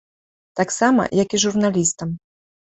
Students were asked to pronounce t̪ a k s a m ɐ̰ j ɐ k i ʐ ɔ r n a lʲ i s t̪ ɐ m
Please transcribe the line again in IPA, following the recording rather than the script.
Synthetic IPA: t̪ a k s a m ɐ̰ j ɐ k i ʐ u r n a lʲ i s t̪ ɐ m

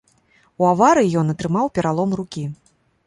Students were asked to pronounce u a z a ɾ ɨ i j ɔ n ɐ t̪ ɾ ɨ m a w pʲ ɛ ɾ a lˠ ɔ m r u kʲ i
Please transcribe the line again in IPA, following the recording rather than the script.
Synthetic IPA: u a v a ɾ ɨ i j ɔ n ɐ t̪ ɾ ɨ m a w pʲ ɛ ɾ a lˠ ɔ m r u kʲ i

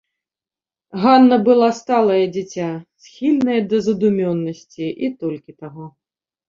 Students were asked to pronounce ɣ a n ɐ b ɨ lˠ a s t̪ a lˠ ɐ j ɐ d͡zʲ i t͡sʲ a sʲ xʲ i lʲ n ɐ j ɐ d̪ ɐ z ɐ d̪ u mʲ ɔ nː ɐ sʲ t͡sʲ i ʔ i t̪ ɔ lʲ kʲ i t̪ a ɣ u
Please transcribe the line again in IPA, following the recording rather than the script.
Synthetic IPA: ɣ a nː ɐ b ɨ lˠ a s t̪ a lˠ ɐ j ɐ d͡zʲ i t͡sʲ a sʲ xʲ i lʲ n ɐ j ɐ d̪ ɐ z ɐ d̪ u mʲ ɔ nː ɐ sʲ t͡sʲ i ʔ i t̪ ɔ lʲ kʲ i t̪ a ɣ ɔ

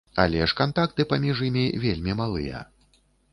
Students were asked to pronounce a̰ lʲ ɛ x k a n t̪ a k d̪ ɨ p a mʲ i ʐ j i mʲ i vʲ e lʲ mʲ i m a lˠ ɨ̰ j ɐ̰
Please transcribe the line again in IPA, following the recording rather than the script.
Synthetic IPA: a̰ lʲ ɛ ʂ k a n t̪ a k t̪ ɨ p a mʲ i ʐ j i mʲ i vʲ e lʲ mʲ i m a lˠ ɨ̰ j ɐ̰

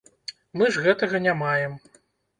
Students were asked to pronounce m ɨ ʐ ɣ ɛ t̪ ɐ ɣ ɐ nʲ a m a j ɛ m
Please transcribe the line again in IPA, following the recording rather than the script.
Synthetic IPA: m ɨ ʐ ɣ ɛ t̪ ɐ ɣ ɐ nʲ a m a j ɛ m

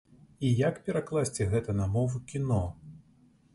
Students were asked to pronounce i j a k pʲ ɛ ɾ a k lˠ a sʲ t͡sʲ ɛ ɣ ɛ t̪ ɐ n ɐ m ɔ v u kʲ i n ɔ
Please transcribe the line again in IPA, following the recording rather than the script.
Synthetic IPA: i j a k pʲ ɛ ɾ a k lˠ a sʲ t͡sʲ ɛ ɣ ɛ t̪ ɐ n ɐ m ɔ v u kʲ i n ɔ

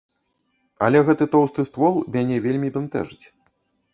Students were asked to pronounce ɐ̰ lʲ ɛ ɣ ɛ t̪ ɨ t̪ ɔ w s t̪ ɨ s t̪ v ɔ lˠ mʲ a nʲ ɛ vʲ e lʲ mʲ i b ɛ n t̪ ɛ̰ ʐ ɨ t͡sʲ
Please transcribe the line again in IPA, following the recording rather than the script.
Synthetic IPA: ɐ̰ lʲ ɛ ɣ ɛ t̪ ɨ t̪ ɔ w s t̪ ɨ s t̪ v ɔ lˠ mʲ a nʲ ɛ vʲ e lʲ mʲ i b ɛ n t̪ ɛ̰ ʐ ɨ t͡sʲ

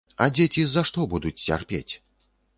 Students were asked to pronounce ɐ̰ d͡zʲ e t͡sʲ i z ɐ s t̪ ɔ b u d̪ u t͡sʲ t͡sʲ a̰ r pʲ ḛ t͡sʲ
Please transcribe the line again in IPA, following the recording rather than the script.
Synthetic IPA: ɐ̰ d͡zʲ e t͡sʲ i z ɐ ʂ t̪ ɔ b u d̪ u t͡sʲ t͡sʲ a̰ r pʲ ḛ t͡sʲ

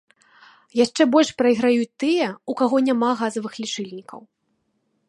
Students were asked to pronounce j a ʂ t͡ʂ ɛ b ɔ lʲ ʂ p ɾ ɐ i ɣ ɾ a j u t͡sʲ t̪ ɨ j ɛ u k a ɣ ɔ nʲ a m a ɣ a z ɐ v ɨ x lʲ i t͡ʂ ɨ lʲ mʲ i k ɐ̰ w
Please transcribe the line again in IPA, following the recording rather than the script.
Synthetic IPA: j a ʂ t͡ʂ ɛ b ɔ lʲ ʂ p ɾ ɐ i ɣ ɾ a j u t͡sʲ t̪ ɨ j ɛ u k a ɣ ɔ nʲ a m a ɣ a z ɐ v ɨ x lʲ i t͡ʂ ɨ lʲ nʲ i k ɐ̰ w

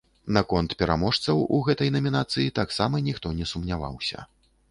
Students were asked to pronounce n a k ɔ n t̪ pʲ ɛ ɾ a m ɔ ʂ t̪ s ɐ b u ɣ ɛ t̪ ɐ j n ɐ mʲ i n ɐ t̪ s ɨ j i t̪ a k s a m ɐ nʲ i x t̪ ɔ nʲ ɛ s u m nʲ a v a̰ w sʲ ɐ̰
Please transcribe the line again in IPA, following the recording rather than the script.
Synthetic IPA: n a k ɔ n t̪ pʲ ɛ ɾ a m ɔ ʂ t̪ s ɐ w u ɣ ɛ t̪ ɐ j n ɐ mʲ i n a t̪ s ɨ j i t̪ a k s a m ɐ nʲ i x t̪ ɔ nʲ ɛ s u m nʲ a v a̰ w sʲ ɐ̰

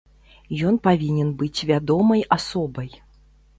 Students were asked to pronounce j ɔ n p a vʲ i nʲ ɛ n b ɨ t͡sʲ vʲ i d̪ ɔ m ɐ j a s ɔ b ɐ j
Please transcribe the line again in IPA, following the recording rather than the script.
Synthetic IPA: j ɔ n p a vʲ i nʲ ɛ n b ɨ t͡sʲ vʲ a d̪ ɔ m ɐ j a s ɔ b ɐ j

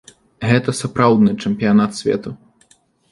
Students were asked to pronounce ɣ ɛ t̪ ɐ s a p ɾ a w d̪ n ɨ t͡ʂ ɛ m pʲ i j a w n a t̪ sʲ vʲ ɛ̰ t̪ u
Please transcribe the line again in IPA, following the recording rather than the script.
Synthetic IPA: ɣ ɛ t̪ ɐ s a p ɾ a w d̪ n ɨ t͡ʂ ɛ m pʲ i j a n a t̪ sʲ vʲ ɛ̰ t̪ u

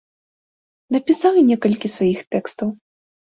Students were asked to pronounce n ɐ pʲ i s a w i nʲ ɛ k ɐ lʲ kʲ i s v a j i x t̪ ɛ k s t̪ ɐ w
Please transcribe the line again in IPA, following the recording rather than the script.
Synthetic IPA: n ɐ pʲ i s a w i nʲ ɛ k ɐ lʲ kʲ i s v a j i x t̪ ɛ k s t̪ ɐ w

